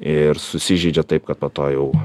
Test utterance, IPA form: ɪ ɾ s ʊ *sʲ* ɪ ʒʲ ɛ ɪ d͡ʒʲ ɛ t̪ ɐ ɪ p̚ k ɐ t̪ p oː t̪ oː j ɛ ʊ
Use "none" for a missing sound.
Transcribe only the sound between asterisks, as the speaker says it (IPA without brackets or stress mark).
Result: sʲ